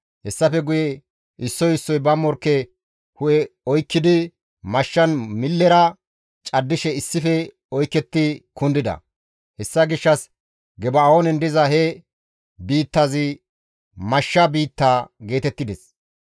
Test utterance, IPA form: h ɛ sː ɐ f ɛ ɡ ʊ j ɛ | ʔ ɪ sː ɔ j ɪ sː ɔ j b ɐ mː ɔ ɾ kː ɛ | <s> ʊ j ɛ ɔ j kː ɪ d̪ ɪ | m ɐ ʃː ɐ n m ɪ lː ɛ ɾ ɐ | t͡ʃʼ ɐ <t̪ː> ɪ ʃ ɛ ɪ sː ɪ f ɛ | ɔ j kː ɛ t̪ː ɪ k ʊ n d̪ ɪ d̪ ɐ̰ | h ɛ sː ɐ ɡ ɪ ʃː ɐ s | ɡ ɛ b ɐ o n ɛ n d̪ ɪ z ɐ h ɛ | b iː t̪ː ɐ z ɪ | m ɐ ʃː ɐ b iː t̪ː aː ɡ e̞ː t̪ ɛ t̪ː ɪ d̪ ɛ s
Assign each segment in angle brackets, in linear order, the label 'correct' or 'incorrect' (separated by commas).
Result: incorrect, incorrect